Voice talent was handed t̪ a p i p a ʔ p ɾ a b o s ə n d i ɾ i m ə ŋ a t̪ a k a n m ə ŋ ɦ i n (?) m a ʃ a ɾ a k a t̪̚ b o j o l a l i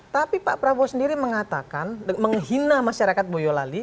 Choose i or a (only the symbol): a